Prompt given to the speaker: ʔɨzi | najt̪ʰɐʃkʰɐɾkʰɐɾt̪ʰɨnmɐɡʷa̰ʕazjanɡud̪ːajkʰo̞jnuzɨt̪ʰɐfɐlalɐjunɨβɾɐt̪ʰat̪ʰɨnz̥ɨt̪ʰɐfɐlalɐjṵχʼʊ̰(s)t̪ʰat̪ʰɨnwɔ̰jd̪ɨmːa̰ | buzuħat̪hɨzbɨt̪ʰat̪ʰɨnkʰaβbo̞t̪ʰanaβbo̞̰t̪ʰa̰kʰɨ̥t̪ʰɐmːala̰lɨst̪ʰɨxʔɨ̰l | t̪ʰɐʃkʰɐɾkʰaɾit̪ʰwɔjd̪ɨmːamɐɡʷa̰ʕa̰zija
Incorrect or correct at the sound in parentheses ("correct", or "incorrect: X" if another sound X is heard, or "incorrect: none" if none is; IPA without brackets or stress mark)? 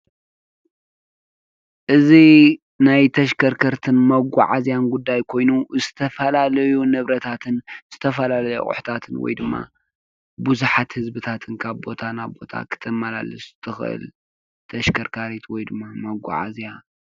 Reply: incorrect: ħ